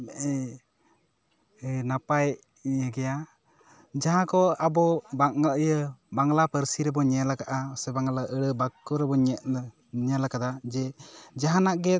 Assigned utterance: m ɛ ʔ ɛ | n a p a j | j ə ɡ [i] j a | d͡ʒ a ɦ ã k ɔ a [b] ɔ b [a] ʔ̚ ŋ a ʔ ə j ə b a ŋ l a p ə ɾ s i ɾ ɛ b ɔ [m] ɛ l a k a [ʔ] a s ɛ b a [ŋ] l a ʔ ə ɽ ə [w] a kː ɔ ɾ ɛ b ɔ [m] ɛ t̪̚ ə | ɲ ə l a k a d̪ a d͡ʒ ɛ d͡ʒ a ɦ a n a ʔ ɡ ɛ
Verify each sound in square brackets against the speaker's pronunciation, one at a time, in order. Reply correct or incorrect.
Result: incorrect, correct, correct, incorrect, correct, correct, incorrect, incorrect

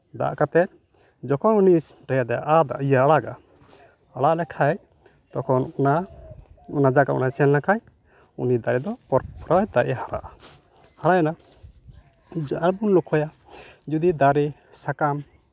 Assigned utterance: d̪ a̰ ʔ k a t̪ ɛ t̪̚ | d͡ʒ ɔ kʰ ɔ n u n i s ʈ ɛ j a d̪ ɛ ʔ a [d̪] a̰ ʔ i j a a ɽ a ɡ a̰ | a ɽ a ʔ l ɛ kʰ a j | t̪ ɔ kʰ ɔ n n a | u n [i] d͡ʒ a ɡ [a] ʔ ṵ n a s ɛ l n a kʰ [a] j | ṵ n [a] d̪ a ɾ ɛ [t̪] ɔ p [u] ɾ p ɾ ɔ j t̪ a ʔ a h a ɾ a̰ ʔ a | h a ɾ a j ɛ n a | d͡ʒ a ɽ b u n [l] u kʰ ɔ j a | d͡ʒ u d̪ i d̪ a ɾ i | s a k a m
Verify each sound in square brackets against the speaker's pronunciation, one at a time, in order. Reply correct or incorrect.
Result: correct, incorrect, correct, correct, incorrect, incorrect, incorrect, correct

